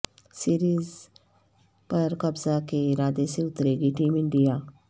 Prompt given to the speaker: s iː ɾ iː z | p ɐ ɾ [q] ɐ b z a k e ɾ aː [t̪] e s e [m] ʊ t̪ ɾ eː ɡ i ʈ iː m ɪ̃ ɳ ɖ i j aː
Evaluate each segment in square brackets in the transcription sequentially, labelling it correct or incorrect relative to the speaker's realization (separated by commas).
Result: incorrect, incorrect, incorrect